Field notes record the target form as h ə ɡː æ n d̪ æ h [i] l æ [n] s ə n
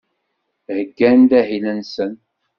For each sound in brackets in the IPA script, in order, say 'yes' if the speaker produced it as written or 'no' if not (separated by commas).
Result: yes, yes